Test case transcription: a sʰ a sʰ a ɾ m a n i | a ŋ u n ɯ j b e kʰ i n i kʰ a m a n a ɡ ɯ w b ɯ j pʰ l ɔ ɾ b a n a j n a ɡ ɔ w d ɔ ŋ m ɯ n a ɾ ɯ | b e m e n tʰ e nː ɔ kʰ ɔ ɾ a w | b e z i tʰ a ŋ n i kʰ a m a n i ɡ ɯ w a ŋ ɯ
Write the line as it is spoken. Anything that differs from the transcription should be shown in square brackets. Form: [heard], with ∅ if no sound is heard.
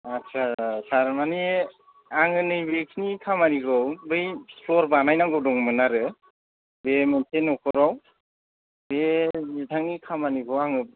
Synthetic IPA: a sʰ a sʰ a ɾ m a n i | a ŋ [ɯ] n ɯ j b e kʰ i n i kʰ a m a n [i] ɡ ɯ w b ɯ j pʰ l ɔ ɾ b a n a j n a ɡ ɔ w d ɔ ŋ m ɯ n a ɾ ɯ | b e m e n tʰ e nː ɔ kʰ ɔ ɾ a w | b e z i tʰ a ŋ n i kʰ a m a n i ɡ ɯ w a ŋ ɯ